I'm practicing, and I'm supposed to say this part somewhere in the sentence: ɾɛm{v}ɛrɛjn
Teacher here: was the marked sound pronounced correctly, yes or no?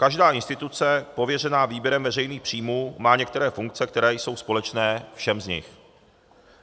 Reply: yes